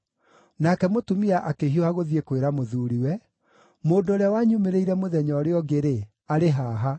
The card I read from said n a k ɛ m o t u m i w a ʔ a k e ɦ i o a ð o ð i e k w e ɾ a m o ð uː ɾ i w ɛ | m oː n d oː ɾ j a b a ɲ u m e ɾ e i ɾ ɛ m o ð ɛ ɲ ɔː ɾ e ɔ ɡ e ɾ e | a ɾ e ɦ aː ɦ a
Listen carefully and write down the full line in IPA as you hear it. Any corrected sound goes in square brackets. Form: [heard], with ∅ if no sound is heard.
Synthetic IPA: n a k ɛ m o t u m i [∅] a ʔ a k e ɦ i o a [ɣ] o ð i e k w e ɾ a m o ð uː ɾ i w ɛ | m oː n d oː ɾ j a [w] a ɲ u m e ɾ e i ɾ ɛ m o ð ɛ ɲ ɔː ɾ e ɔ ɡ e ɾ e | a ɾ e ɦ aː ɦ a